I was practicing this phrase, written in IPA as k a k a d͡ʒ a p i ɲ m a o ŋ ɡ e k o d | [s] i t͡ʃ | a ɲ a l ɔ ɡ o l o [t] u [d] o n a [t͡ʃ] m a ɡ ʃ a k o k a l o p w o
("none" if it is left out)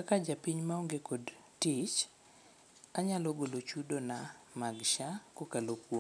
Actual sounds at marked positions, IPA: t, t͡ʃ, d, none

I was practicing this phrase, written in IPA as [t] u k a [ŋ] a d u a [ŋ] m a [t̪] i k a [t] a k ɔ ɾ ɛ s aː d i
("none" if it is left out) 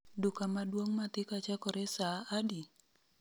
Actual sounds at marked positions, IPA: d, m, ŋ, t̪, t͡ʃ

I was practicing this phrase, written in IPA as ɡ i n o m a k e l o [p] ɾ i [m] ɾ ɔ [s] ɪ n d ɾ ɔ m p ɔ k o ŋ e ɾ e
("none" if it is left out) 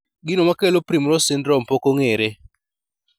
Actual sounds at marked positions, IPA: p, m, s

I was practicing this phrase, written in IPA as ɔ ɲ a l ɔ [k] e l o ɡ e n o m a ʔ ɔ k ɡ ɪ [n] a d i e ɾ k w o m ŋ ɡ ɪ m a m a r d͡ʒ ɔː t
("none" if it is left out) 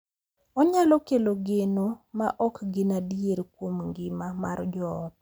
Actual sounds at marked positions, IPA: k, n

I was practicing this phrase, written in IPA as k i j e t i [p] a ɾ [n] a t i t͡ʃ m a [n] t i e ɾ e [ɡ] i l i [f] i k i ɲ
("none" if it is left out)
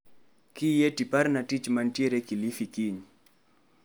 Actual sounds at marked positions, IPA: p, n, n, k, f

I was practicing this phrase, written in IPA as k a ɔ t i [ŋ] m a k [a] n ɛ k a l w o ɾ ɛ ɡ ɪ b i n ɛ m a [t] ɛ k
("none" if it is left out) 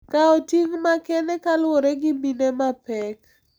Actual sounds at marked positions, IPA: ŋ, ɛ, p

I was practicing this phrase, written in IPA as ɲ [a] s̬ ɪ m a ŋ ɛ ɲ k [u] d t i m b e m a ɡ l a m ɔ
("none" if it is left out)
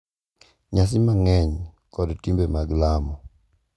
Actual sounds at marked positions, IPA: a, ɔ

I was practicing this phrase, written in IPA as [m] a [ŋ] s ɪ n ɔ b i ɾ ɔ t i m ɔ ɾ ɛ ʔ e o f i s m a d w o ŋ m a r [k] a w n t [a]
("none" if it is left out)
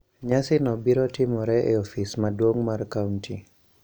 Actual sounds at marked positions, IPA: ɲ, none, k, i

